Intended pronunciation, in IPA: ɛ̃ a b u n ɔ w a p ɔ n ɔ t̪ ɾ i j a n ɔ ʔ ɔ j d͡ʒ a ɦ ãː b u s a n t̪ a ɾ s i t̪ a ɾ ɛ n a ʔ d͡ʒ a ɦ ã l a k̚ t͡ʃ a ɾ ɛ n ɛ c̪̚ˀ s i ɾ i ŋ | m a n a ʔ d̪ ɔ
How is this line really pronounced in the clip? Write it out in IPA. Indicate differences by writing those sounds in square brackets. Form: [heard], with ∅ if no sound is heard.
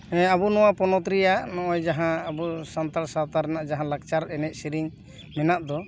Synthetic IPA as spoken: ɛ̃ a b u n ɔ w a p ɔ n ɔ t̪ ɾ i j a n ɔ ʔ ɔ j d͡ʒ a ɦ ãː b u s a n t̪ a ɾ s [a] t̪ a ɾ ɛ n a ʔ d͡ʒ a ɦ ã l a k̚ t͡ʃ a ɾ ɛ n ɛ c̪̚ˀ s i ɾ i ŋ | m [ɛ] n a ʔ d̪ ɔ